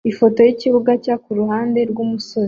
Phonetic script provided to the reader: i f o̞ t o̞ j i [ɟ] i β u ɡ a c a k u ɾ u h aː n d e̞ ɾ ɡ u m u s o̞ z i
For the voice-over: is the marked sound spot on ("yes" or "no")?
no